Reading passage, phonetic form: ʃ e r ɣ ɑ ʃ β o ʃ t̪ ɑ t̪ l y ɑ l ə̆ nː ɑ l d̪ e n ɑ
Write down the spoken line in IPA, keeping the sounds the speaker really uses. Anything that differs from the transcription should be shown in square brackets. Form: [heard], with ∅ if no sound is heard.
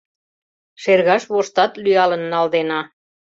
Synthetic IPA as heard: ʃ e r ɣ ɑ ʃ β o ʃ t̪ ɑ t̪ l y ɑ l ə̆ nː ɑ l d̪ e n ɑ